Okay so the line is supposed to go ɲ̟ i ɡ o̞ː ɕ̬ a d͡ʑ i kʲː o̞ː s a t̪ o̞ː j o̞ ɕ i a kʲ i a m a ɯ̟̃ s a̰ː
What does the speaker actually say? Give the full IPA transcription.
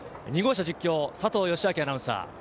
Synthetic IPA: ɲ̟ i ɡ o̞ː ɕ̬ a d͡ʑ i kʲː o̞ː s a t̪ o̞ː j o̞ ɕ i a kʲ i a n a ɯ̟̃ s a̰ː